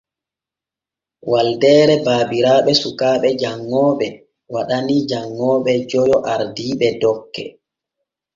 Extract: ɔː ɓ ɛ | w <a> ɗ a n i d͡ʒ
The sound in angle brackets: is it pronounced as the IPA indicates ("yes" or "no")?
yes